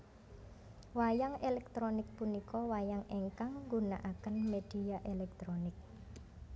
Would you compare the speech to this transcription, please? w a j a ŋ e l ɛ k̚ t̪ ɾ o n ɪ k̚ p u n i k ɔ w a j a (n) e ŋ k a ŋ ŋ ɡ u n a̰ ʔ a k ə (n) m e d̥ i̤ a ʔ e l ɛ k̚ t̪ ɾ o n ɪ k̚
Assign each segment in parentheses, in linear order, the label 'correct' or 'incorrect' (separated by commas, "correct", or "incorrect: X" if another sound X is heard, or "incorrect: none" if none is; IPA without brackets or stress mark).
incorrect: ŋ, correct